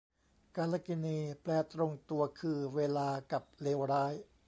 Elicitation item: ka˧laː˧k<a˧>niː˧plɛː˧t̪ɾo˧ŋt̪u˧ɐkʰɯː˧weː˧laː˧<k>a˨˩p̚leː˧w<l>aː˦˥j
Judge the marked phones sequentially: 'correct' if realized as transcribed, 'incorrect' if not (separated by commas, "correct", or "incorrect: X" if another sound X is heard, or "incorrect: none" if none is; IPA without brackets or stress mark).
incorrect: i˧, correct, incorrect: ɾ